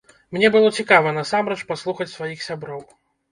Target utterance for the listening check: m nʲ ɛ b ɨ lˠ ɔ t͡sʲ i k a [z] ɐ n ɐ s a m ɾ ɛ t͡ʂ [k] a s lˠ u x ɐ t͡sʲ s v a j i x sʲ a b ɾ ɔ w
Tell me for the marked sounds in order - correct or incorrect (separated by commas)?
incorrect, incorrect